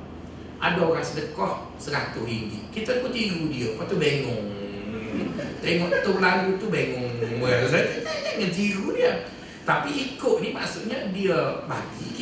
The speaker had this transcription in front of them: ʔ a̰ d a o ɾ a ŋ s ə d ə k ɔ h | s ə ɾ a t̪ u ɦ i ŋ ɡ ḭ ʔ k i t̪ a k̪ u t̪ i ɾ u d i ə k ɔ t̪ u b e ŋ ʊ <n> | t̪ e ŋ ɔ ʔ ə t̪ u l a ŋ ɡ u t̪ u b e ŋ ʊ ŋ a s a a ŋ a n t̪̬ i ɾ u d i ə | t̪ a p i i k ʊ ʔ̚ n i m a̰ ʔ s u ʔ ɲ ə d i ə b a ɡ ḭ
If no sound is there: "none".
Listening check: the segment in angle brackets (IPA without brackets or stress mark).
ŋ